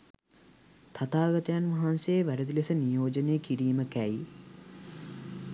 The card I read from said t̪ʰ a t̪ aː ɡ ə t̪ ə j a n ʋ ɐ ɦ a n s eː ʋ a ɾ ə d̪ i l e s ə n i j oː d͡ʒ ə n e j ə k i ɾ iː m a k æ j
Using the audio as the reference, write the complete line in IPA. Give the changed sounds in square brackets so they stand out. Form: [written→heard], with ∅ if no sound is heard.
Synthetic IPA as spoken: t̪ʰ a t̪ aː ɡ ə t̪ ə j a n ʋ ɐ ɦ a n s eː ʋ [a→æ] ɾ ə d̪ i l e s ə n i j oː d͡ʒ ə n e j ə k i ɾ iː m [a→ə] k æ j